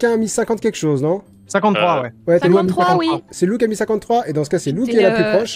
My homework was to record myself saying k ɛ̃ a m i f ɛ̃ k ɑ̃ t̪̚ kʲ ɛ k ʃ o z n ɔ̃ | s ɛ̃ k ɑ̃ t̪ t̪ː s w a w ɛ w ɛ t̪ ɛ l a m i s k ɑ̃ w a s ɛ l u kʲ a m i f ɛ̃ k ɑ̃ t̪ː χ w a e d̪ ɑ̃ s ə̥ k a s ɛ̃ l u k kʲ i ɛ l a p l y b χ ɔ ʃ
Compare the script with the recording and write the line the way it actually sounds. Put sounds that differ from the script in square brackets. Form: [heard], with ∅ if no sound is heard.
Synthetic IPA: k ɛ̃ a m i [s] ɛ̃ k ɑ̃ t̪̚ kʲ ɛ k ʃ o z n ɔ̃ | s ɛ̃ k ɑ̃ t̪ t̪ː [χ] w a w ɛ w ɛ t̪ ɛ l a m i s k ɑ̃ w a s ɛ l u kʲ a m i [s] ɛ̃ k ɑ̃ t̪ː χ w a e d̪ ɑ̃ s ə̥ k a s [ɛ] l u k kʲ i ɛ l a p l y [p] χ ɔ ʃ